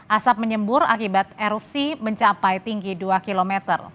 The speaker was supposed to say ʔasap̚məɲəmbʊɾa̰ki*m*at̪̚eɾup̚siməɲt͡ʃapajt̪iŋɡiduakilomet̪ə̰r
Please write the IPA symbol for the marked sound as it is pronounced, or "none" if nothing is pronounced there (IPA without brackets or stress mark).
b